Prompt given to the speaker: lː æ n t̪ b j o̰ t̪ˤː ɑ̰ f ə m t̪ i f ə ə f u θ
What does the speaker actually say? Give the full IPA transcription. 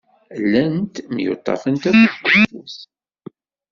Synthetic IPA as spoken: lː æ n t̪ m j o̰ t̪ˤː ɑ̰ f ə n t̪ æ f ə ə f u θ

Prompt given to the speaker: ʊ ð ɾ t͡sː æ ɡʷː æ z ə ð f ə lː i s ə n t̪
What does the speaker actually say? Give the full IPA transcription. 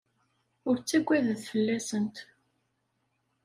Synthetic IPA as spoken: ʊ ɾ t͡sː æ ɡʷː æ ð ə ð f ə lː æ s ə n t̪

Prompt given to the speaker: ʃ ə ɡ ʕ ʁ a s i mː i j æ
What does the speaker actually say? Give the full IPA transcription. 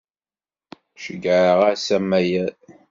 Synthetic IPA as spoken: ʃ ə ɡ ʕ ʁ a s æ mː æ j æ

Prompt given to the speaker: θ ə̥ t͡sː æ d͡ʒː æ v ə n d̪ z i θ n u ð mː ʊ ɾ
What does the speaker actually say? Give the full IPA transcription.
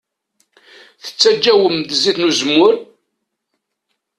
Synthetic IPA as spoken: θ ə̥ t͡sː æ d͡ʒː æ w ə m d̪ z i θ n u z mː ʊ ɾ

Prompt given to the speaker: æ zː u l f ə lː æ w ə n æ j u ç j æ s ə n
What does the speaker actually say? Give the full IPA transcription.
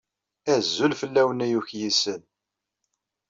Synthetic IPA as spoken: æ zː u l f ə lː æ w ə n æ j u ç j i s ə n

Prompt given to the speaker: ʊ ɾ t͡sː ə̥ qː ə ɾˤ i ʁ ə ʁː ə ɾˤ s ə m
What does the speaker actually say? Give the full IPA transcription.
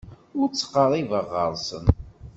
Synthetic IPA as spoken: ʊ ɾ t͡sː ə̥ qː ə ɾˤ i v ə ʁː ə ɾˤ s ə n

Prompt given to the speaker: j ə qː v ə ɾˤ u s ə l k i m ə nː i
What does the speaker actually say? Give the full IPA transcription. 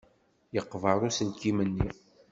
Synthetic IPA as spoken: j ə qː v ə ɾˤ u s ə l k i m ə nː i

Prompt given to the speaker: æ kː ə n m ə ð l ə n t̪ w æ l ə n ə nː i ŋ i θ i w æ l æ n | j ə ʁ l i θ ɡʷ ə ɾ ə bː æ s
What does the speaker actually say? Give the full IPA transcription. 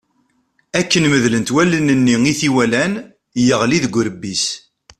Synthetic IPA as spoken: æ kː ə n m ə ð l ə n t̪ w æ l ə n ə nː i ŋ i θ i w æ l æ n | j ə ʁ l i ð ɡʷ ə ɾ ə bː i s

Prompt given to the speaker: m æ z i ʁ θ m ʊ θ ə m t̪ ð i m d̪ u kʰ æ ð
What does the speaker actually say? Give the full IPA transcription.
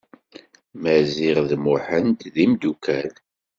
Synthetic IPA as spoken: m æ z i ʁ ð m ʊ ħ ə n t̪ ð i m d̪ u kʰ æ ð

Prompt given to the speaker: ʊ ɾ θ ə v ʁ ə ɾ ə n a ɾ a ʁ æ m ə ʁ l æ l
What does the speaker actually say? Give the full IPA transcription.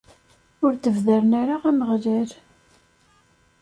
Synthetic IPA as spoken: ʊ ɾ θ ə v ð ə ɾ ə n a ɾ a ʁ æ m ə ʁ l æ ɾ

